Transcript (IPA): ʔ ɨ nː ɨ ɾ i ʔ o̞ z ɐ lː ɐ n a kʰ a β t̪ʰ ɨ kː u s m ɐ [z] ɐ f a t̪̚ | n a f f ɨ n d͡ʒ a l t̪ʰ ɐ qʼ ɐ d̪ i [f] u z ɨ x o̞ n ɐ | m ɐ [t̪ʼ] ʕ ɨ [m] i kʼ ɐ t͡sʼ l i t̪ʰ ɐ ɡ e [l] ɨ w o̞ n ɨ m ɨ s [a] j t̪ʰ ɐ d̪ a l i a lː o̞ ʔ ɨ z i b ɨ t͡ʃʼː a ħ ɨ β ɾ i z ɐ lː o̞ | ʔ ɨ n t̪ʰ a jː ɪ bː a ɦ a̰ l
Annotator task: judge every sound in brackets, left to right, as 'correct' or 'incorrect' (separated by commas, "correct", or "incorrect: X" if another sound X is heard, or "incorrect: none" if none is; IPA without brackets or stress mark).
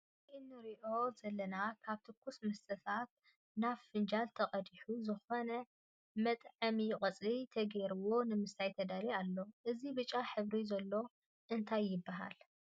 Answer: incorrect: s, incorrect: ħ, correct, correct, incorrect: ɾ, correct